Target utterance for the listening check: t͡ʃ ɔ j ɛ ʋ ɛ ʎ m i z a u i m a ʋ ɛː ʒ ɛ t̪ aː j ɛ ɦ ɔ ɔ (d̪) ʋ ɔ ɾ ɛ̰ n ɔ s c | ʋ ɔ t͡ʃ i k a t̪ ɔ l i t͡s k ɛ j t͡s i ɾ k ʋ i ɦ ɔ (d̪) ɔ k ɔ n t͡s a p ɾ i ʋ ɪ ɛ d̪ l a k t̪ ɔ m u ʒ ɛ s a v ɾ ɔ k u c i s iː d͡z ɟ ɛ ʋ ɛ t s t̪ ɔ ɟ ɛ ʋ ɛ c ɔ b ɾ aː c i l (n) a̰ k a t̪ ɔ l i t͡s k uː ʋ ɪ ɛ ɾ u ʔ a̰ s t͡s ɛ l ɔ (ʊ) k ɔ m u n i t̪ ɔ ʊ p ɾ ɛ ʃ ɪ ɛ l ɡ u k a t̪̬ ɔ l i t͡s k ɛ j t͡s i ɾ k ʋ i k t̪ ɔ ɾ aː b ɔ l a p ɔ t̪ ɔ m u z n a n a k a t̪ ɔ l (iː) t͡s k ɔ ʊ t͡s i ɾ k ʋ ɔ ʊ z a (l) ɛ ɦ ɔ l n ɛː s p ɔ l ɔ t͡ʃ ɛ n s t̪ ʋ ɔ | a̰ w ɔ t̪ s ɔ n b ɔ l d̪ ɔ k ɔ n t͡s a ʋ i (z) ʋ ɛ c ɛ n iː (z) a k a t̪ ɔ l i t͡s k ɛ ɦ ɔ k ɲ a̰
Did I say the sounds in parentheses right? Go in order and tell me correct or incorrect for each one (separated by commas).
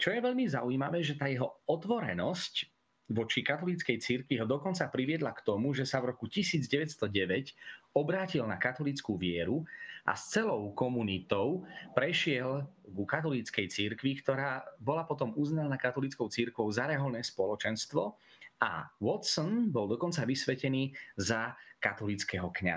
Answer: incorrect, correct, correct, correct, incorrect, incorrect, incorrect, correct